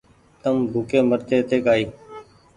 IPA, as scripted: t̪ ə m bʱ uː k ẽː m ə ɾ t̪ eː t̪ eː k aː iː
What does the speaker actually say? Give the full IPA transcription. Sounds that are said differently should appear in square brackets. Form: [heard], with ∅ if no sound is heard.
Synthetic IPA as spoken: t̪ ə m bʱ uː k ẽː m ə ɾ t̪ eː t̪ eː k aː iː